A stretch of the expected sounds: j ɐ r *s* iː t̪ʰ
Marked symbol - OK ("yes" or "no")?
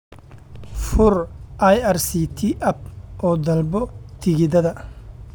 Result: yes